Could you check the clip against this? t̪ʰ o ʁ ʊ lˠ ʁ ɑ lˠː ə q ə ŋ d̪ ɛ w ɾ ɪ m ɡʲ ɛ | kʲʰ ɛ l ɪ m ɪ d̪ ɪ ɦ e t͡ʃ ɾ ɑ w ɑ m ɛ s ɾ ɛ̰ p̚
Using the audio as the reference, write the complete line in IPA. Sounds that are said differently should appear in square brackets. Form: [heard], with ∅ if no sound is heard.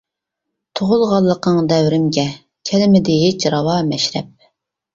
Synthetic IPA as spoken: t̪ʰ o ʁ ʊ lˠ ʁ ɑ lˠː ə q ə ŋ d̪ ɛ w ɾ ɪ m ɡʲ ɛ | kʲʰ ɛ l ɪ m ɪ d̪ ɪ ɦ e t͡ʃ ɾ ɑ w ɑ m ɛ [ʃ] ɾ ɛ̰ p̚